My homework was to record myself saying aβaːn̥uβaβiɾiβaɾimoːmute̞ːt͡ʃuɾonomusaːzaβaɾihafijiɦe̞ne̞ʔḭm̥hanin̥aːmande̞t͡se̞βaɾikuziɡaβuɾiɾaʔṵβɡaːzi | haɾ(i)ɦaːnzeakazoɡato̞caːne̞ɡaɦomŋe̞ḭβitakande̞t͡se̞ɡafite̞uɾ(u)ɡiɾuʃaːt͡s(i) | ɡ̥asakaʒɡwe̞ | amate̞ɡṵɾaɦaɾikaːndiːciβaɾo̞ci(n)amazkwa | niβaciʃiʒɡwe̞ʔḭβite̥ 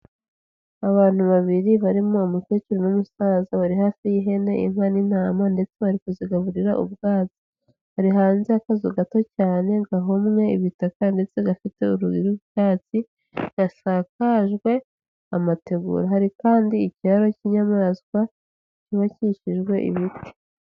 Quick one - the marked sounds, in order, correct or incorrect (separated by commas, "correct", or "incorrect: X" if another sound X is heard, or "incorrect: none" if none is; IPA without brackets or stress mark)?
correct, correct, correct, incorrect: ɲ